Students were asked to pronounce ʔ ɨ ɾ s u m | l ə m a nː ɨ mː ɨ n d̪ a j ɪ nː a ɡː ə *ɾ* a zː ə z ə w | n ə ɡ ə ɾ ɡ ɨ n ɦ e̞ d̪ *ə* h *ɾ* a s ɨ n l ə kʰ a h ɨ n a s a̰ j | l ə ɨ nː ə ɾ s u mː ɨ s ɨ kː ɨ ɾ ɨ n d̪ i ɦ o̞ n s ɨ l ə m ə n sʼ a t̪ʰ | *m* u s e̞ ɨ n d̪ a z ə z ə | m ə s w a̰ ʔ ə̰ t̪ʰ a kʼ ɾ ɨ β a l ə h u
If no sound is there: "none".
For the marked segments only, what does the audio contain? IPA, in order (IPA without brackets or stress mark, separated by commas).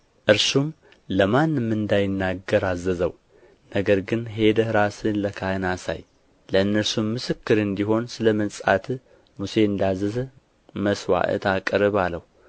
ɾ, ə, ɾ, m